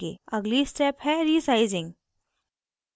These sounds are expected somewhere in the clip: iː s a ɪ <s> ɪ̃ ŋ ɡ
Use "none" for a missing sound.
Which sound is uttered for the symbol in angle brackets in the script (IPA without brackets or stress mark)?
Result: z